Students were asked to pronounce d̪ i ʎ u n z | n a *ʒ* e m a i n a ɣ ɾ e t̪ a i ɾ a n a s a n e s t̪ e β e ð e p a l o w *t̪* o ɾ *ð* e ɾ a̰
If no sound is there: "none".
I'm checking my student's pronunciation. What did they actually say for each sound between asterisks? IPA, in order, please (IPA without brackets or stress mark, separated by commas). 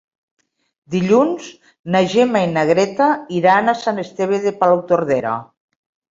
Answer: ʒ, t̪, ð